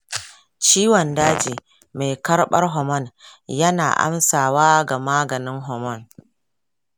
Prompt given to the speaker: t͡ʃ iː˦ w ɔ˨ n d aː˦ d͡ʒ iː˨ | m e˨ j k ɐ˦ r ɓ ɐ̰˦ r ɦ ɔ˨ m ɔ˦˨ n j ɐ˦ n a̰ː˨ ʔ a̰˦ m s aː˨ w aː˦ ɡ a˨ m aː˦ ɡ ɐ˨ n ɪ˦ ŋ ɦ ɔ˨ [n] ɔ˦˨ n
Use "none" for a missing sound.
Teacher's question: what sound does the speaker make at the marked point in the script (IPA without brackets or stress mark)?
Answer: m